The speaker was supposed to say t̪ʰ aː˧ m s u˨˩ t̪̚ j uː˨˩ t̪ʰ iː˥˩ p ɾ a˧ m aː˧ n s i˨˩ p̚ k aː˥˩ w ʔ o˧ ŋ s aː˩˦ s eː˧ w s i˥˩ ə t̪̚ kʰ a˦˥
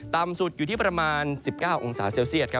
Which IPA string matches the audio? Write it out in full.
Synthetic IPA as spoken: t̪ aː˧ m s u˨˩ t̪̚ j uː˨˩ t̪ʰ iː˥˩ p ɾ a˧ m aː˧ n s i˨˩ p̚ k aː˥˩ w ʔ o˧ ŋ s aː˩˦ s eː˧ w s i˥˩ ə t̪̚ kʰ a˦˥